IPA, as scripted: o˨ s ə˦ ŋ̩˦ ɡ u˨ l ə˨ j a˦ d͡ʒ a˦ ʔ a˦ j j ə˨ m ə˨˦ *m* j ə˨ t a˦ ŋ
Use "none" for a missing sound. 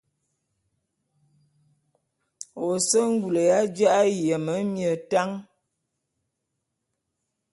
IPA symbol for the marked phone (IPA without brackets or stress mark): m